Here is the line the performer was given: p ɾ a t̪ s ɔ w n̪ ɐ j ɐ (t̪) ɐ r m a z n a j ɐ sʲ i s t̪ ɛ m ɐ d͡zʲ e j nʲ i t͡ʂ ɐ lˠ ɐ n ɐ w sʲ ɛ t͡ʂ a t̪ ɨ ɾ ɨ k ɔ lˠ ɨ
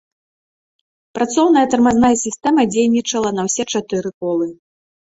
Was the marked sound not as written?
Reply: no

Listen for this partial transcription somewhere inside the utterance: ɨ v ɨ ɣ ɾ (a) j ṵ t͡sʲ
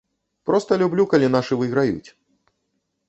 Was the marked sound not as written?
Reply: no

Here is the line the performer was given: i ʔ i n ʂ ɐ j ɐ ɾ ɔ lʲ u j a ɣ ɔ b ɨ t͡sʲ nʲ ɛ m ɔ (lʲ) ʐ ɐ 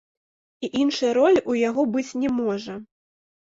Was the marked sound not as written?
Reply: yes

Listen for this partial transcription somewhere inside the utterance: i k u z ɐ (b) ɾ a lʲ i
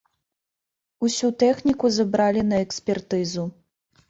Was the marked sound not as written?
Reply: no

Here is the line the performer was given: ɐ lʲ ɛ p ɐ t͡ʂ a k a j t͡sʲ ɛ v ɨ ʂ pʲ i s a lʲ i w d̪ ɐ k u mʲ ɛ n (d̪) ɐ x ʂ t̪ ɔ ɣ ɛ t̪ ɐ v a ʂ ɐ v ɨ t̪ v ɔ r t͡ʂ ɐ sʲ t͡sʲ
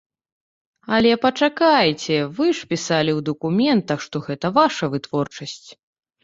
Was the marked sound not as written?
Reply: yes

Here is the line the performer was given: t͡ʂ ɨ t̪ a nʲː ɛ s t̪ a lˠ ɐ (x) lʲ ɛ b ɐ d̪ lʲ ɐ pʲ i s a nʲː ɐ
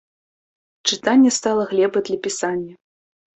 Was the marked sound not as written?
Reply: yes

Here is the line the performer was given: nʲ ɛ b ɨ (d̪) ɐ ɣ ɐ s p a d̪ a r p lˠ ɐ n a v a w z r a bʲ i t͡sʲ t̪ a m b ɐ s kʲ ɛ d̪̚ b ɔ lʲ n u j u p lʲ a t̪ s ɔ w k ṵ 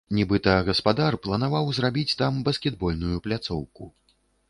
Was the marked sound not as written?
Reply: yes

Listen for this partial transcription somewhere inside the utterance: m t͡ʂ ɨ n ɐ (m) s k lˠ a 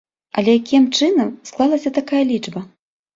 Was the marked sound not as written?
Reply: no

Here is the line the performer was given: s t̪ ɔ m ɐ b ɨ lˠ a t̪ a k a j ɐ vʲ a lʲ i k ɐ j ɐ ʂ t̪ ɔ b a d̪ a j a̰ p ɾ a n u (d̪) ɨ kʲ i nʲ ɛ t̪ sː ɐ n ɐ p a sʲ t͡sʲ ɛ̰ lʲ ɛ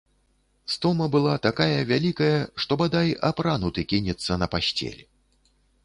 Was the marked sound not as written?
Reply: yes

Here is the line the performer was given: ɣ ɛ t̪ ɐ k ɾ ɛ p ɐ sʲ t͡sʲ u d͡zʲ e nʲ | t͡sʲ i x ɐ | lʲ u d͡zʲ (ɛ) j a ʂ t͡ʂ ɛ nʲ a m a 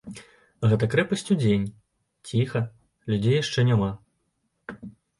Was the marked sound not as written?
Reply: yes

